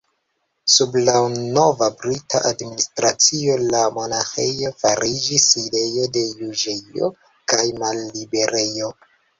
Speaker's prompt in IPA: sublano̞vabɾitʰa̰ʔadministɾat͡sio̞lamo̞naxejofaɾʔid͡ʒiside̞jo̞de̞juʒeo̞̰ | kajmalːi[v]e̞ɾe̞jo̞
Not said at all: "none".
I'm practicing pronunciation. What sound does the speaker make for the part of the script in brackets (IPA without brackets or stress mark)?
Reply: b